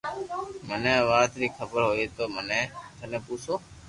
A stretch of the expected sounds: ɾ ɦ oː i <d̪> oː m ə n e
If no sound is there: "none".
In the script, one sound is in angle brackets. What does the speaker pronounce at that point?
t̪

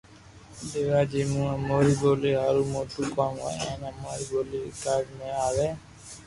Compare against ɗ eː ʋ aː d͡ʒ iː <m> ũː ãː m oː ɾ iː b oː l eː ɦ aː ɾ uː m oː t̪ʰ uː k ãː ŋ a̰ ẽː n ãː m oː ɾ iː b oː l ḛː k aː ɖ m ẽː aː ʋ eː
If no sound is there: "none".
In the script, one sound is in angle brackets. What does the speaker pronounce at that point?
m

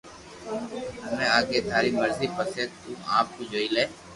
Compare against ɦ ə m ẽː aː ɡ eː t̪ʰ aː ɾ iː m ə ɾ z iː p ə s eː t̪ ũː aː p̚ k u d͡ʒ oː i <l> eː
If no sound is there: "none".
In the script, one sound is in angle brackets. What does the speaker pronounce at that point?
l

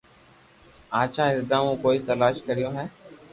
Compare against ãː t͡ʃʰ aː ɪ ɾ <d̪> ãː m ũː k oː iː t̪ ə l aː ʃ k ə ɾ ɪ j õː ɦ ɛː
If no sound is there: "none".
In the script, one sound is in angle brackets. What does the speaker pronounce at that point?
d̪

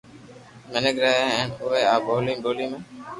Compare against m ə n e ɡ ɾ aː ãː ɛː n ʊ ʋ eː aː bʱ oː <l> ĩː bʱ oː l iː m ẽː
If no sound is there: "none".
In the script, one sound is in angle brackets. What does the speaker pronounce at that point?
l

